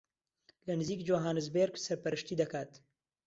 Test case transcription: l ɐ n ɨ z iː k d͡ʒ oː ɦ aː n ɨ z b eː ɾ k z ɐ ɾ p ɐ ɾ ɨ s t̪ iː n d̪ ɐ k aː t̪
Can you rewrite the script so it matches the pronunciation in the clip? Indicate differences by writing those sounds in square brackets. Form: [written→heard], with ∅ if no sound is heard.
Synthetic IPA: l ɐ n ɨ z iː k d͡ʒ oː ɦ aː n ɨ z b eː ɾ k [z→s] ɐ ɾ p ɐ ɾ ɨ [s→ʃ] t̪ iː [n→∅] d̪ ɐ k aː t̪